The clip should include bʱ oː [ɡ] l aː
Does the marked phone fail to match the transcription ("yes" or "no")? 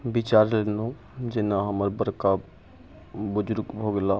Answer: no